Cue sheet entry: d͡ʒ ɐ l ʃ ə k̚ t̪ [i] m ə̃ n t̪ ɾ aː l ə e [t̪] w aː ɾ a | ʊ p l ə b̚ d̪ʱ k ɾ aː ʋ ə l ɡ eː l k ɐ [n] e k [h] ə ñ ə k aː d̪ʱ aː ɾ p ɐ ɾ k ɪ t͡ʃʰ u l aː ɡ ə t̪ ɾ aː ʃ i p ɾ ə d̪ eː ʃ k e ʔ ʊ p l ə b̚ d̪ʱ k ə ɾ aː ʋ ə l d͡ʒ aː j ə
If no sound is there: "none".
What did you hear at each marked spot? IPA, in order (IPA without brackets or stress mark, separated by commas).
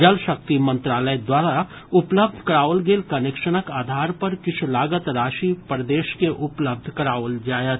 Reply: i, d̪, n, ʃ